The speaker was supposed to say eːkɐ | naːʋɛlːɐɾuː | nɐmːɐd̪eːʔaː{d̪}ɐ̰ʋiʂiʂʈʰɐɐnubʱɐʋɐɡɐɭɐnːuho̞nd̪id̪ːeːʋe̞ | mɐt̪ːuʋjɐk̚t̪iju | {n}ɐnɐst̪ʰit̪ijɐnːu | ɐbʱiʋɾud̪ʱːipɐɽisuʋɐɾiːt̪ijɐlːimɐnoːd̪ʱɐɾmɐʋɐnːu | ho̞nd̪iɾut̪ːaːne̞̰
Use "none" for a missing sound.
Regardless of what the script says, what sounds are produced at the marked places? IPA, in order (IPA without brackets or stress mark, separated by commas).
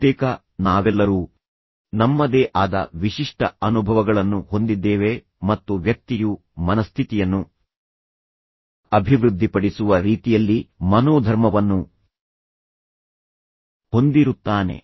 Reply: d̪, m